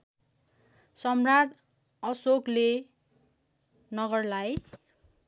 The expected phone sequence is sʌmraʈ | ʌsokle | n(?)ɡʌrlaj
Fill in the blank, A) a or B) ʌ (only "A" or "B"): B